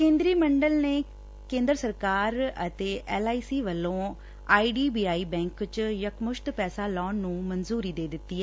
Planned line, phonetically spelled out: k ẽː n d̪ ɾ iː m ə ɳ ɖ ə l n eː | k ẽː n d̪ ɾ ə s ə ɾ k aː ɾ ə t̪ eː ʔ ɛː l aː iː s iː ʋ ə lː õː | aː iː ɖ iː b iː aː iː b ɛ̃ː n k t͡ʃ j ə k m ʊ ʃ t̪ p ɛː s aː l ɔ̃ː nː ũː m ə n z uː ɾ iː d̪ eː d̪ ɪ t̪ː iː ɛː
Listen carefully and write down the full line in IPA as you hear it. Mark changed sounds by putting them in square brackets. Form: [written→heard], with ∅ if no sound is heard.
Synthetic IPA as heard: k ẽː n d̪ ɾ iː m ə ɳ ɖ ə l n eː | k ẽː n d̪ ɾ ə s ə ɾ k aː ɾ ə t̪ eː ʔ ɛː l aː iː s iː ʋ ə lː õː | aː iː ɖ iː b iː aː iː b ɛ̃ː [n→ŋ] k t͡ʃ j ə k m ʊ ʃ t̪ p ɛː s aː l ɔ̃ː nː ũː m ə n z uː ɾ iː d̪ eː d̪ ɪ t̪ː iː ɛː